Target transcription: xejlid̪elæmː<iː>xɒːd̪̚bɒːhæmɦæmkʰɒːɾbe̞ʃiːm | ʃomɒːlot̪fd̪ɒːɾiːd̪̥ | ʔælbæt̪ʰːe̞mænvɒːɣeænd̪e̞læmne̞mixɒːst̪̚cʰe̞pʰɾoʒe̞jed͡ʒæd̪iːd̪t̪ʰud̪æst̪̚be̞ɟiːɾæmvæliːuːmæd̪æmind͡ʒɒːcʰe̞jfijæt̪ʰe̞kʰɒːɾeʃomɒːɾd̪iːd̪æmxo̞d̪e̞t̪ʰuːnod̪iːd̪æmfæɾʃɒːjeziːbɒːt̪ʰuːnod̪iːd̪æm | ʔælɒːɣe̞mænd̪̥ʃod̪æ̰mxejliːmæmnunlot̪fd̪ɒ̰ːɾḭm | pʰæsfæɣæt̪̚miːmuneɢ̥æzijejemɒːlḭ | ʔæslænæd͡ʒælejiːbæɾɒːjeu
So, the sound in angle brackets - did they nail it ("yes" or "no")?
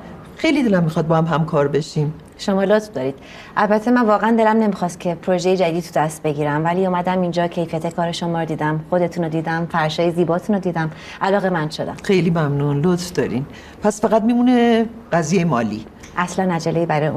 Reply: no